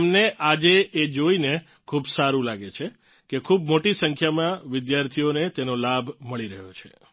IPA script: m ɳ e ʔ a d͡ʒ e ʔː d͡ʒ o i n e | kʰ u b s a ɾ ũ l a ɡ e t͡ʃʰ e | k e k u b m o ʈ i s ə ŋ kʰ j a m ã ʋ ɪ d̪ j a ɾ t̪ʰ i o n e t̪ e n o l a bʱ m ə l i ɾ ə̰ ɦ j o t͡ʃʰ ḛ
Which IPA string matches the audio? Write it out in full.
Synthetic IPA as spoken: m n e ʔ a d͡ʒ e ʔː d͡ʒ o i n e | kʰ u b s a ɾ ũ l a ɡ e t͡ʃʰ e | k e kʰ u b m o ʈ i s ə ŋ kʰ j a m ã ʋ ɪ d̪ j a ɾ t̪ʰ i o n e t̪ e n o l a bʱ m ə ɭ i ɾ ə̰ ɦ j o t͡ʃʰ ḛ